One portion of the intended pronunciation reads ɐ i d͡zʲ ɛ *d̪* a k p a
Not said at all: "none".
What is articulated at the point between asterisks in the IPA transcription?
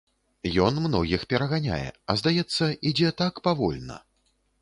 t̪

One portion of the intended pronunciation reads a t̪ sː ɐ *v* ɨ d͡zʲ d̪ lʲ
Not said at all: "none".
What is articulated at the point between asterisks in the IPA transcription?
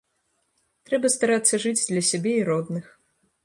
ʐ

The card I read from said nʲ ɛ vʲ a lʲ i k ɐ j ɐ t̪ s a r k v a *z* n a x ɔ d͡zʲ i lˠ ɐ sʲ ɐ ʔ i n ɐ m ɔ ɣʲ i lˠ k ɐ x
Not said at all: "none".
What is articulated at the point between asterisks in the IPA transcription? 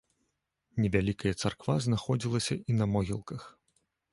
z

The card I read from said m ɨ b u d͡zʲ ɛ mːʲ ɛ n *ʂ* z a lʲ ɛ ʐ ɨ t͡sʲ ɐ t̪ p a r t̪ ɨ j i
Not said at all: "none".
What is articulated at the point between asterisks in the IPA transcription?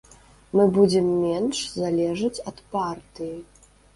ʂ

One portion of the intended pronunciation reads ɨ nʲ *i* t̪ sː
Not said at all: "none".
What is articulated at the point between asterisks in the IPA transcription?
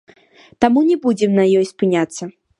a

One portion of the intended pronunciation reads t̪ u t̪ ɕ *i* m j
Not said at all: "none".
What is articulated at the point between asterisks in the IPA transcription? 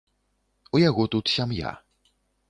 a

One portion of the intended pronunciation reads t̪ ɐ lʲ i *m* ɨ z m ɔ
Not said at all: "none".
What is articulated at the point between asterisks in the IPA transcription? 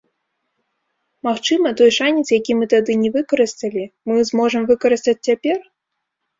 m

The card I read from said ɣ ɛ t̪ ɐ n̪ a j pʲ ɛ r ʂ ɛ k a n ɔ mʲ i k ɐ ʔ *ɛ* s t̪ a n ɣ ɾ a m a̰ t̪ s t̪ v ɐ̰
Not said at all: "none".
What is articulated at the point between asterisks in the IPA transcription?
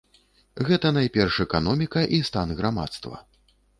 i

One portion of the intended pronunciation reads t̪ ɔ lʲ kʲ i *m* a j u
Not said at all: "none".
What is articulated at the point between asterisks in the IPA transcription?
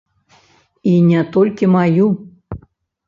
m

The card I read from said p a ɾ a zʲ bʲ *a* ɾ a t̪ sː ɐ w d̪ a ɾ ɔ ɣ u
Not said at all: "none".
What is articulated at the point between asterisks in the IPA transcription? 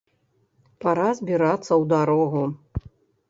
i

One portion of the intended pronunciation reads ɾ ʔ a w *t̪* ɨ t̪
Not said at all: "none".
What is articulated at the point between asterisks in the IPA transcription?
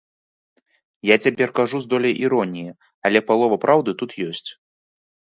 d̪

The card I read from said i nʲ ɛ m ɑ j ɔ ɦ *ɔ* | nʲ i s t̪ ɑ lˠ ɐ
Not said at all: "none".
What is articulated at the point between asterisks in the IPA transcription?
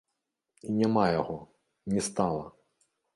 ɔ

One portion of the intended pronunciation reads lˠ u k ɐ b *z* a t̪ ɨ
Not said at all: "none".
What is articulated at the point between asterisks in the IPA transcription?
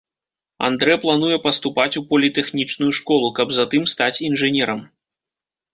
z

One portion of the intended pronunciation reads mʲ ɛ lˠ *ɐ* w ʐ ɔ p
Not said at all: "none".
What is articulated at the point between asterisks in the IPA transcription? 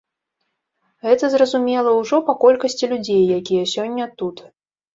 ɐ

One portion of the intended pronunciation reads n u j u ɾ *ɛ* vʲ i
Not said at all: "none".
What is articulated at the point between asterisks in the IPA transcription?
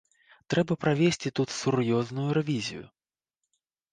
ɛ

